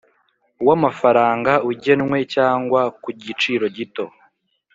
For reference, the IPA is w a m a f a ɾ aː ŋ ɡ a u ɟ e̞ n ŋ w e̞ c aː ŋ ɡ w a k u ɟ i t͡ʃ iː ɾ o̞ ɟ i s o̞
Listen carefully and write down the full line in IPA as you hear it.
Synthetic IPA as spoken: w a m a f a ɾ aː ŋ ɡ a u ɟ e̞ n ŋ w e̞ c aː ŋ ɡ w a k u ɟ i t͡ʃ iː ɾ o̞ ɟ i t o̞